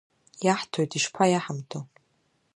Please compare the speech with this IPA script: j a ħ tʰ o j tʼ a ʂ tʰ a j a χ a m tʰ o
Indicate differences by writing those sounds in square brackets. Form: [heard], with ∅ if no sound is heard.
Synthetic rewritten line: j a ħ tʰ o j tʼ [i] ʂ [pʰ] a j a [ħ] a m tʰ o